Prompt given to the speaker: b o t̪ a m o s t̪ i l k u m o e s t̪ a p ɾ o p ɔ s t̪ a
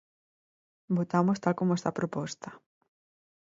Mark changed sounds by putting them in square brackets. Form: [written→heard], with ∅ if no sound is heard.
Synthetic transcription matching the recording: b o t̪ a m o s t̪ [i→a] l k [u→o] m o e s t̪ a p ɾ o p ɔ s t̪ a